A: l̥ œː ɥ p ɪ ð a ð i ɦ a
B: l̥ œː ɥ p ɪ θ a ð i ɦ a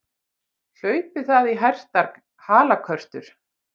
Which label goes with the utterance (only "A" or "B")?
B